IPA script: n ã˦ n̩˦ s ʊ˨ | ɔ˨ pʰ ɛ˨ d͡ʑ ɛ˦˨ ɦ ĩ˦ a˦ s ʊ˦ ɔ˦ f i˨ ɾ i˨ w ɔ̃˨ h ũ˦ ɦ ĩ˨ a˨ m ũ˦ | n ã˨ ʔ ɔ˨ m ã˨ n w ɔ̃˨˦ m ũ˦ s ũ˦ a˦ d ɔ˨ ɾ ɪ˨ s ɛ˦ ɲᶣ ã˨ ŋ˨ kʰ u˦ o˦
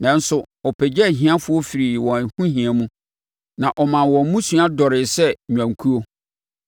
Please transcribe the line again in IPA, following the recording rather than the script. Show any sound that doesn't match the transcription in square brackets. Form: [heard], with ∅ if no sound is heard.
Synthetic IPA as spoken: n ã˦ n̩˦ s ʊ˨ | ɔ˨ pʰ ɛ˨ d͡ʑ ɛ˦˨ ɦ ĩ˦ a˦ [f] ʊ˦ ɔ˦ f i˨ ɾ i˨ w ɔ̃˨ h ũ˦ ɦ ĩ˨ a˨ m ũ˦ | n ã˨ ʔ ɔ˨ m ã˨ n w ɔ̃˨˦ m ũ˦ s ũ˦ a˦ d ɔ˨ ɾ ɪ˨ s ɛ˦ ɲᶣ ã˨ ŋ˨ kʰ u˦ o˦